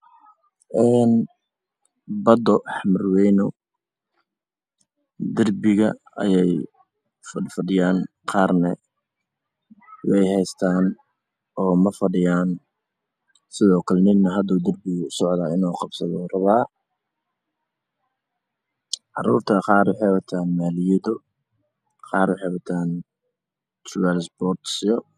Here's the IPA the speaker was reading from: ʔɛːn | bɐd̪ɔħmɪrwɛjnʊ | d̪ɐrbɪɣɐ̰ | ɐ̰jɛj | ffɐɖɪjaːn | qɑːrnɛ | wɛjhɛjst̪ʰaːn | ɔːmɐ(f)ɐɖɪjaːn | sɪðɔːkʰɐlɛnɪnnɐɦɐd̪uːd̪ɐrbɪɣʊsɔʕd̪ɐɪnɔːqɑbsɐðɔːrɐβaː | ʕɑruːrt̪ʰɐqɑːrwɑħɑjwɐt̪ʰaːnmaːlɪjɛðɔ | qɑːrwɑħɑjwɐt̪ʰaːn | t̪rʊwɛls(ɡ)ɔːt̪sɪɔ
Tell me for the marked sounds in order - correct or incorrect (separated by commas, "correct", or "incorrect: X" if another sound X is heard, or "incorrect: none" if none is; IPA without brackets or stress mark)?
correct, incorrect: b